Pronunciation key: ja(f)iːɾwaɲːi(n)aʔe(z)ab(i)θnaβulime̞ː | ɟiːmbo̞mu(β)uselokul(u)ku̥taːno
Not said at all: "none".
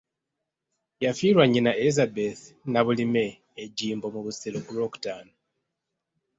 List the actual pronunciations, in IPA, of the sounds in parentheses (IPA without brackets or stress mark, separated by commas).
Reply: f, n, z, e, β, o